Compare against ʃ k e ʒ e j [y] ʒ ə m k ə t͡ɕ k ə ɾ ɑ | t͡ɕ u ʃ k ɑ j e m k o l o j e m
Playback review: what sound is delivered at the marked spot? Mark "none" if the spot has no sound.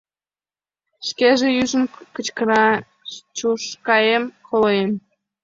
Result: y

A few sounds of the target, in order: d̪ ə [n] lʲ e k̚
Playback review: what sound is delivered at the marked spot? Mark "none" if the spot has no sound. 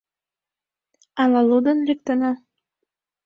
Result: n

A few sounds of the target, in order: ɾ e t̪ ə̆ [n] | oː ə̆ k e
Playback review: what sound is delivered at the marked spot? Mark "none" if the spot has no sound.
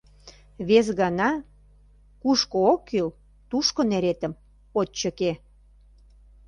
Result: m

